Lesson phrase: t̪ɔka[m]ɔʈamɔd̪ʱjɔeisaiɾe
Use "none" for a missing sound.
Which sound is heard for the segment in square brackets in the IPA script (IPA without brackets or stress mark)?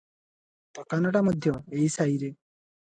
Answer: n